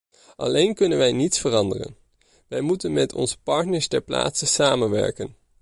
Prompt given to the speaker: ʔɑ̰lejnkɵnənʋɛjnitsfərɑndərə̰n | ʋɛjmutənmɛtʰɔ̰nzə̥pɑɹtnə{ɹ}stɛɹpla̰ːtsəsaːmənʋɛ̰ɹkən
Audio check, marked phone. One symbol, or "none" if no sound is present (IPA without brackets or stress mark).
ɹ